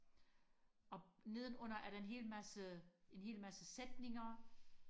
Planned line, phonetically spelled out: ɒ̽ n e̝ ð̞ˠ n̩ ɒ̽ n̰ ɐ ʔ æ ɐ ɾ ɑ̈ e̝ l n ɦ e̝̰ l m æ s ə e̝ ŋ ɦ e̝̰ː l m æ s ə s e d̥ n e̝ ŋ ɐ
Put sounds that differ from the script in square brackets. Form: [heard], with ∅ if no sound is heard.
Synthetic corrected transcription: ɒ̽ n e̝ ð̞ˠ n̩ [ɔ̽] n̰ ɐ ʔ æ ɐ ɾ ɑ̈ e̝ [∅] n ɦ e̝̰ l m æ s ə e̝ [n] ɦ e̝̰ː l m æ s ə s e d̥ n e̝ ŋ ɐ